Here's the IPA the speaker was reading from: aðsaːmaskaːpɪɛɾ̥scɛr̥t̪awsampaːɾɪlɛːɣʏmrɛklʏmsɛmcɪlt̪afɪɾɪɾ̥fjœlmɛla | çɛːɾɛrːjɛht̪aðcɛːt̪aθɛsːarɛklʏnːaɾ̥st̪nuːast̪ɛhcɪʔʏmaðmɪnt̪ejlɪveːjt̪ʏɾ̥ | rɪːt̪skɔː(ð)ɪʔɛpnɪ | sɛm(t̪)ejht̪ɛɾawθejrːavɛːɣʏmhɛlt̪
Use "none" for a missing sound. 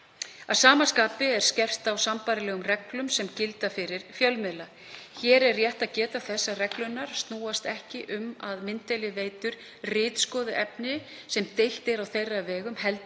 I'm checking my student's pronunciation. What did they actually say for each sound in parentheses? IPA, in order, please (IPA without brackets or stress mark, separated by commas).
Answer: ð, t̪